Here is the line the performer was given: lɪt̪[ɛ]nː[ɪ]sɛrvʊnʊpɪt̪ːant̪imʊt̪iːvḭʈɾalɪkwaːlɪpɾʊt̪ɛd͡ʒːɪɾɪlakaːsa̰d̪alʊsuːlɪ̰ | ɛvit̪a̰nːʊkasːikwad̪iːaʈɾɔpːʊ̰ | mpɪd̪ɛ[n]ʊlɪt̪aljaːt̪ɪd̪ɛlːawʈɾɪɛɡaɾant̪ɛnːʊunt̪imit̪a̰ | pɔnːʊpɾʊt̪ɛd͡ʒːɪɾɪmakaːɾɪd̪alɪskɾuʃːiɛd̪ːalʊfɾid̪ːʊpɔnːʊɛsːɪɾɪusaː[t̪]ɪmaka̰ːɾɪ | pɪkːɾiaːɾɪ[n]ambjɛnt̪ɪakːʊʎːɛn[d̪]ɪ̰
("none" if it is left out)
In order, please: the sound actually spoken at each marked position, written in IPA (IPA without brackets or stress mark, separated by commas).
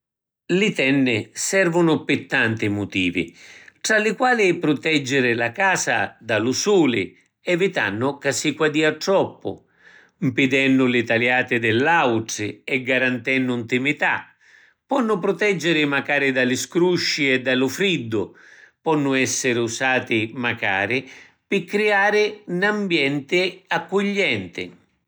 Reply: ɛ, ɪ, nː, t̪, n, t̪